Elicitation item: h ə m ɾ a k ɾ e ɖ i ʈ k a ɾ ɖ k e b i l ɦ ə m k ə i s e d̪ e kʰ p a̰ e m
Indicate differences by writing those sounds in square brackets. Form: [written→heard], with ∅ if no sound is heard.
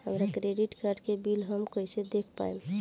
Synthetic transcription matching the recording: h ə m ɾ a k ɾ e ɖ i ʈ k a ɾ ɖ k e b i l ɦ ə m k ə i s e d̪ e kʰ p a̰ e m